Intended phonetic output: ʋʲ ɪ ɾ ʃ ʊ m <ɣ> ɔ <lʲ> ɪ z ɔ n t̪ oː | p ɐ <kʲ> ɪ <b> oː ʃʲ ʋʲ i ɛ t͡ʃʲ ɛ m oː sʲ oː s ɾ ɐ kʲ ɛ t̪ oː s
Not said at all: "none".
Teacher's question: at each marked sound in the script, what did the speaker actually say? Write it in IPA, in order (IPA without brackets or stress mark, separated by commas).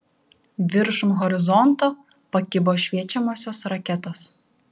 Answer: ɣ, ɾʲ, kʲ, b